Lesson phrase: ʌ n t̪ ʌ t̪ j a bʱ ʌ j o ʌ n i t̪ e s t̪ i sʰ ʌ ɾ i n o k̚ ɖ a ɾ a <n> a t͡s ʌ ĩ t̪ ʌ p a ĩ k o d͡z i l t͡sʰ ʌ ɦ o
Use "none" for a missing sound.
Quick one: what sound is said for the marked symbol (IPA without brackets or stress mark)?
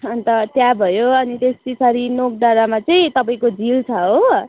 m